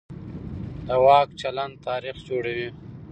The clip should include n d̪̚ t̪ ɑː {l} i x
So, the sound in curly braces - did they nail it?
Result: no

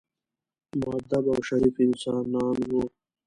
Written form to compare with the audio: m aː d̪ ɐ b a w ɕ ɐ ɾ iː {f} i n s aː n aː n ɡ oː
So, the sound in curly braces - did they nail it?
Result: yes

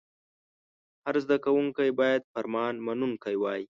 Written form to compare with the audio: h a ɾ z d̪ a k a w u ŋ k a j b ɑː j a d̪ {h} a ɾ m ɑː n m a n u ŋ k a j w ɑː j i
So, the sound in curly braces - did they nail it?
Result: no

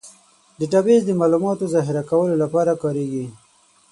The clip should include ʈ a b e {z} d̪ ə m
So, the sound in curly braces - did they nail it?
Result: yes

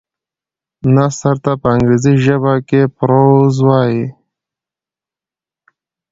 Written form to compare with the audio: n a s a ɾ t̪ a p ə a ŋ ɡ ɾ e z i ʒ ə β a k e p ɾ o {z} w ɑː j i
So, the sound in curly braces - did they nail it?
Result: yes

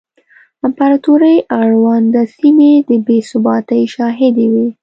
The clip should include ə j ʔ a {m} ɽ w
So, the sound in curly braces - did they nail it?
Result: no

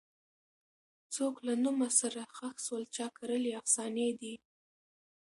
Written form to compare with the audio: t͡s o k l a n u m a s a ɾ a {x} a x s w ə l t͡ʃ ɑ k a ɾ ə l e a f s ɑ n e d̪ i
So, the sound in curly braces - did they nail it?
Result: yes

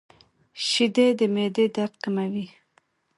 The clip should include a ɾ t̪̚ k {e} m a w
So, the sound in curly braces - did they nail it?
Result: no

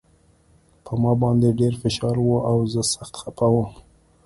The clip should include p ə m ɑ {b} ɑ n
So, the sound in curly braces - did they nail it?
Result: yes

